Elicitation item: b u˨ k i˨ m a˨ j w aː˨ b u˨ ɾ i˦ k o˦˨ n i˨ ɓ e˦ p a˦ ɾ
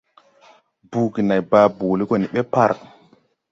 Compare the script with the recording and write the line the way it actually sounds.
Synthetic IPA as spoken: b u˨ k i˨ n a˨ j b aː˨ b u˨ l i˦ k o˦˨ n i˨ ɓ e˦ p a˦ ɾ